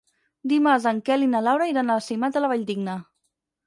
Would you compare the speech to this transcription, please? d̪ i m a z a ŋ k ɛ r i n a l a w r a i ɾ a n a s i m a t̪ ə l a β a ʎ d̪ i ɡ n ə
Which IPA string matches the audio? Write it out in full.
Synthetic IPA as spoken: d̪ i m a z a ŋ k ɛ l i n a l a w ɾ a i ɾ a n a s i m a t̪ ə l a β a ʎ d̪ i ɡ n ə